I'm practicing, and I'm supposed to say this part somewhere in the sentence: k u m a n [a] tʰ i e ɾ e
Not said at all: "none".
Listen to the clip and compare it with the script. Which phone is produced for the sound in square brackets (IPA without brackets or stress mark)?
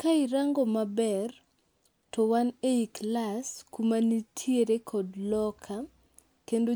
i